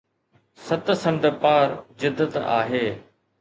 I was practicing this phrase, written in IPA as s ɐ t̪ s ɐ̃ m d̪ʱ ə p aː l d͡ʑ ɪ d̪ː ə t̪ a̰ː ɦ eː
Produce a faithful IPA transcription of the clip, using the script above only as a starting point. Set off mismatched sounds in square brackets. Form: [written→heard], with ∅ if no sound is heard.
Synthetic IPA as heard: s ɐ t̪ s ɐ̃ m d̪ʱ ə p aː [l→ɾ] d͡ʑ ɪ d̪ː ə t̪ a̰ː ɦ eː